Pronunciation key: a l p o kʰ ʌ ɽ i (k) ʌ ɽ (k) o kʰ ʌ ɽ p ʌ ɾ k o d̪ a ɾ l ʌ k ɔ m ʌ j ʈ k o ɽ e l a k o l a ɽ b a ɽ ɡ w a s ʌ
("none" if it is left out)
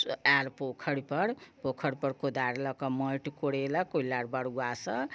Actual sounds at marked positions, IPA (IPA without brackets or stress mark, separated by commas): p, p